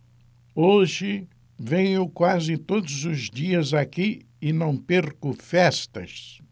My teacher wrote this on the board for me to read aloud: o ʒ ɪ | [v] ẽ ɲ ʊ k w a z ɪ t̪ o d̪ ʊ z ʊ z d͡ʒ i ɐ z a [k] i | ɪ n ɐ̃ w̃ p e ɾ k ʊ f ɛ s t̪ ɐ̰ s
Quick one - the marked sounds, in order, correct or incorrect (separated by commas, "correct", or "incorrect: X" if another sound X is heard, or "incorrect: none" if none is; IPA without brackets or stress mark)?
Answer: correct, correct